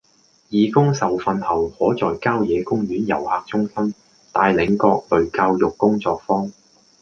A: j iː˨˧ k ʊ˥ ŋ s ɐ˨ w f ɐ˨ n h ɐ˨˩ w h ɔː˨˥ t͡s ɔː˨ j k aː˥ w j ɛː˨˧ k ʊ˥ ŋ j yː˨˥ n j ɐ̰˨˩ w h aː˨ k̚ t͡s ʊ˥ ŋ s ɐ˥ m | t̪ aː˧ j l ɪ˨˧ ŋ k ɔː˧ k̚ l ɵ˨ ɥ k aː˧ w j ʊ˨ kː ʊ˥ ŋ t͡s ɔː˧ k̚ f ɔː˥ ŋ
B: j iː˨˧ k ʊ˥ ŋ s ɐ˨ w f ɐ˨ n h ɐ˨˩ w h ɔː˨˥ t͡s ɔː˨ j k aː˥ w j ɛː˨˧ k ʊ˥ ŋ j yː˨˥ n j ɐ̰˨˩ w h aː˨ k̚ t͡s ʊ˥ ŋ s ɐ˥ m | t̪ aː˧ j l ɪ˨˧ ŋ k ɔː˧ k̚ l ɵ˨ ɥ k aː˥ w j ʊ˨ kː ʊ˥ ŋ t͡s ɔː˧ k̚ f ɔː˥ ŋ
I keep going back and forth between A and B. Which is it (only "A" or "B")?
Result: A